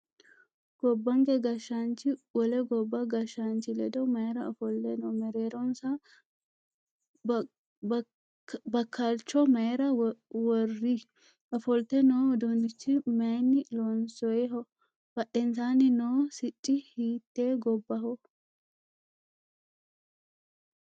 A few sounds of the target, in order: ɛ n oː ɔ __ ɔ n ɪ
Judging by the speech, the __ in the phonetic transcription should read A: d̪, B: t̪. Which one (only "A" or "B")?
A